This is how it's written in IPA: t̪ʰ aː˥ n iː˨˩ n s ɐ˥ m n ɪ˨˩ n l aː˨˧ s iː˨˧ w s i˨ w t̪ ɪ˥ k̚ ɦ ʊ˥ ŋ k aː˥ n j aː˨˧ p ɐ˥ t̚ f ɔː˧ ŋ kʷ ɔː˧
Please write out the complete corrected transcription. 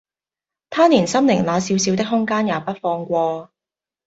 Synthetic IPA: t̪ʰ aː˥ n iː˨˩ n s ɐ˥ m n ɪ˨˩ ŋ l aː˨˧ s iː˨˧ w s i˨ w t̪ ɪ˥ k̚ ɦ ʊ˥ ŋ k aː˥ n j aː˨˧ p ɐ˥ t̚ f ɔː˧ ŋ kʷ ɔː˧